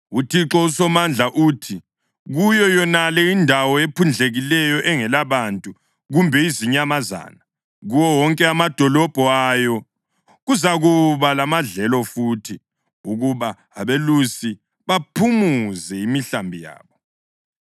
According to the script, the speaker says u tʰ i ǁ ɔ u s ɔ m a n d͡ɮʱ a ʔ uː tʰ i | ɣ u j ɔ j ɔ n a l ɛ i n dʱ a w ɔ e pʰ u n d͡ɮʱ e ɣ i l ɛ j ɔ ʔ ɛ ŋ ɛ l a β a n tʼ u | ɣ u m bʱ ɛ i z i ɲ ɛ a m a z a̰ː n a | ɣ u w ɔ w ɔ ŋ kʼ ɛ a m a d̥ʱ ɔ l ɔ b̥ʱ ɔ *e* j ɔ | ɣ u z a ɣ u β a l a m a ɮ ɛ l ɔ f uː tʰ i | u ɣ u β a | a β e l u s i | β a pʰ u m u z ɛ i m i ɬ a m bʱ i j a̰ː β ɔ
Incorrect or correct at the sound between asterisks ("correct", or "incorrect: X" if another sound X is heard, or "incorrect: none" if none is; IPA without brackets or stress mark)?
incorrect: a